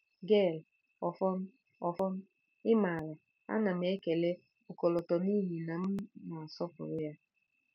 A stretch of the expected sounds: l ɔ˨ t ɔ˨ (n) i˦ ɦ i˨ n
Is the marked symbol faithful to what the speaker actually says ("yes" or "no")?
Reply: yes